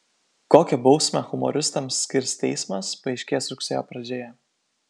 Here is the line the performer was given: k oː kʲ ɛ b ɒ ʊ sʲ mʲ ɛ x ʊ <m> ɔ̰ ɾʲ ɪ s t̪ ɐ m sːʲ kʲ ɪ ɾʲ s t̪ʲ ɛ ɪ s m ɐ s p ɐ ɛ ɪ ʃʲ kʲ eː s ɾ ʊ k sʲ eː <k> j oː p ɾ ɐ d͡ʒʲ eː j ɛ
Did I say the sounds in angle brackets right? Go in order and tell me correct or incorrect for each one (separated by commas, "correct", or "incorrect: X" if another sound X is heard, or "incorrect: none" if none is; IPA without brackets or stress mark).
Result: correct, incorrect: none